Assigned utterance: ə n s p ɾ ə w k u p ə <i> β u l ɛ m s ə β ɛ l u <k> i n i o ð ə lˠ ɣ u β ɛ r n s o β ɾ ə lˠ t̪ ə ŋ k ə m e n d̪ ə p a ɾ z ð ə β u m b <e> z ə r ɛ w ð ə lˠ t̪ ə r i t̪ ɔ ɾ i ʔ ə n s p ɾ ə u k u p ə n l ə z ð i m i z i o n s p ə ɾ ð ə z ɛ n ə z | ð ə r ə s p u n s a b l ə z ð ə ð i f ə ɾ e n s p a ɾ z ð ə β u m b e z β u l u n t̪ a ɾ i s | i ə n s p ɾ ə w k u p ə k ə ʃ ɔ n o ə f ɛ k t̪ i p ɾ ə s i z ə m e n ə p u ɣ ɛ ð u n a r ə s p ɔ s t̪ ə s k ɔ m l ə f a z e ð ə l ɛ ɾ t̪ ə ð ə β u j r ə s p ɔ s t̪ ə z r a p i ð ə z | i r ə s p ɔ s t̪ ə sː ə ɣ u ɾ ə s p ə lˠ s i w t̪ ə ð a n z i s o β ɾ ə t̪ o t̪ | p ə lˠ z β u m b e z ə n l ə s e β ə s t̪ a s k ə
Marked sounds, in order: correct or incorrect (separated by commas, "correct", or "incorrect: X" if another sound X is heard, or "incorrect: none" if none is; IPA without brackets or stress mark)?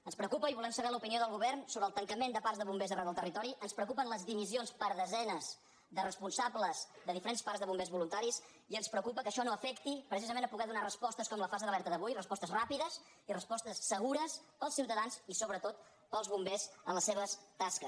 correct, incorrect: p, correct